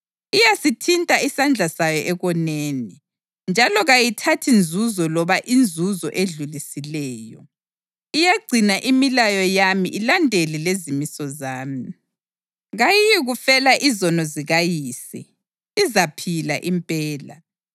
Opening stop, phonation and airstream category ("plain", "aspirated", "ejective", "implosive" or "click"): aspirated